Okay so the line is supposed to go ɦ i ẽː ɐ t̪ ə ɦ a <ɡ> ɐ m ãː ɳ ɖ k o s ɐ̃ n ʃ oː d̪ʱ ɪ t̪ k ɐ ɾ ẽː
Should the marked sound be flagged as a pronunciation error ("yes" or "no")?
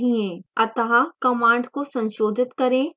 yes